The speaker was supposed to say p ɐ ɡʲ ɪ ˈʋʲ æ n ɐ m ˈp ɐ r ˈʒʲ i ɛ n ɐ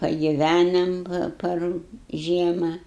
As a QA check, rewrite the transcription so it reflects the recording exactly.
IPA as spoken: p ɐ ɡʲ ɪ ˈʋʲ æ n ɐ m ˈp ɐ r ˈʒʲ i ɛ m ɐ